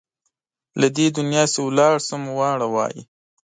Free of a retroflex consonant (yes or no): no